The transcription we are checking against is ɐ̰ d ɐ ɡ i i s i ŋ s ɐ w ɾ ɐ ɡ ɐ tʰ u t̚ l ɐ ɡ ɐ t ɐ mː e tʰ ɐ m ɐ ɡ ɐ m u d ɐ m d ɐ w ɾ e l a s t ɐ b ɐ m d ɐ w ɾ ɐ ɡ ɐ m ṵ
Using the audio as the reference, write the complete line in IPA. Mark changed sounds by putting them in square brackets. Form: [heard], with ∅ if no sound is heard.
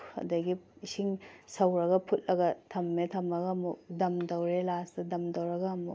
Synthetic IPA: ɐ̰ d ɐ ɡ i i s i ŋ s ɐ w ɾ ɐ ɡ ɐ [pʰ] u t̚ l ɐ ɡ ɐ [tʰ] ɐ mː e tʰ ɐ m ɐ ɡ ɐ m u d ɐ m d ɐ w ɾ e l a s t ɐ [d] ɐ m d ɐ w ɾ ɐ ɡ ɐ m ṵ